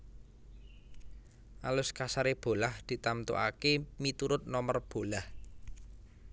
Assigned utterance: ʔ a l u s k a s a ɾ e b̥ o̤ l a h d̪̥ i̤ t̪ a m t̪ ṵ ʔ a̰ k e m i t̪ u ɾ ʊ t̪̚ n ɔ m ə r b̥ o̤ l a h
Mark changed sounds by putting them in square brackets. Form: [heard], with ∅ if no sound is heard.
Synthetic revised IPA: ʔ a l [ʊ] s k a s a ɾ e b̥ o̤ l a h d̪̥ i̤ t̪ a m t̪ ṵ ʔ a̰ k e m i t̪ u ɾ ʊ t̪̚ n ɔ m ə r b̥ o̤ l a h